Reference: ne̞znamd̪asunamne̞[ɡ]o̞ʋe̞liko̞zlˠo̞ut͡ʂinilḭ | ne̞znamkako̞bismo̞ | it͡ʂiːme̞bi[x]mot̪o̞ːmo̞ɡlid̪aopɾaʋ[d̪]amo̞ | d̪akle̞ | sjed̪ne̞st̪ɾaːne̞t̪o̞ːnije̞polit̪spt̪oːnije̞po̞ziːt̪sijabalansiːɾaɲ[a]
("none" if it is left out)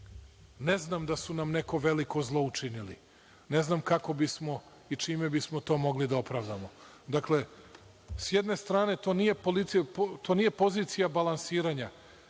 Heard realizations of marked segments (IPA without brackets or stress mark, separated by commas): k, s, d̪, a